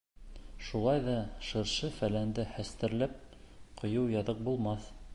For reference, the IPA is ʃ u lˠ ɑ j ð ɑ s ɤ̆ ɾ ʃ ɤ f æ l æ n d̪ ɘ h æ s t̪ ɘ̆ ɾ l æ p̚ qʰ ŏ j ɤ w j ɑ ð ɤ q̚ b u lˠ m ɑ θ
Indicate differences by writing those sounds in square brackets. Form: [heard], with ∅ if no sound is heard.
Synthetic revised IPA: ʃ u lˠ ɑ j ð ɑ [ʃ] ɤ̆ ɾ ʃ ɤ f æ l æ n d̪ ɘ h æ s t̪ ɘ̆ ɾ l æ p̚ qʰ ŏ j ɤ w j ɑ ð ɤ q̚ b u lˠ m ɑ θ